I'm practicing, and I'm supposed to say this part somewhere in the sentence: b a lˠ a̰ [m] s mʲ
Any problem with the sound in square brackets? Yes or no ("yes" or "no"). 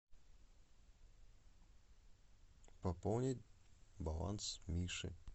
yes